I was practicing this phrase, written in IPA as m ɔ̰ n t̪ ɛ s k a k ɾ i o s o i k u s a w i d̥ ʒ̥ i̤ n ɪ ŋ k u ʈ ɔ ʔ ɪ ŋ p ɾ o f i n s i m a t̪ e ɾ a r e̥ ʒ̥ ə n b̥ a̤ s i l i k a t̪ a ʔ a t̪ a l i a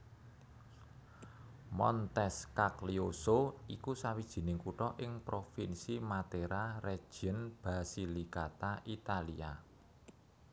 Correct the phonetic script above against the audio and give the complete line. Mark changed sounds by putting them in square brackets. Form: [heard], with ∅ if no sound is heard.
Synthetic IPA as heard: m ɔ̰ n t̪ ɛ s k a k [l] i o s o i k u s a w i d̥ ʒ̥ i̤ n ɪ ŋ k u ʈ ɔ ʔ ɪ ŋ p ɾ o f i n s i m a t̪ e ɾ a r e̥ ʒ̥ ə n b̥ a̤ s i l i k a t̪ a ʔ [i] t̪ a l i a